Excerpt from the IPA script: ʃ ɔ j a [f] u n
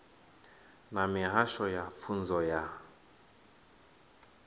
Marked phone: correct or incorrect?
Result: correct